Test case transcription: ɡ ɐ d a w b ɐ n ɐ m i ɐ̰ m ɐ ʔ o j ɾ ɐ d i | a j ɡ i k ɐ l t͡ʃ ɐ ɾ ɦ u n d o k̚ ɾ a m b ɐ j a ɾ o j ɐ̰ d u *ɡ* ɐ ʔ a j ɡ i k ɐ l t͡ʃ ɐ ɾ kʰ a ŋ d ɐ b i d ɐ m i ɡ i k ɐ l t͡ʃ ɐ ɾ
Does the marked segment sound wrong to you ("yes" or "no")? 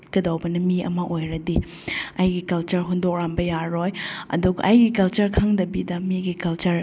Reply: no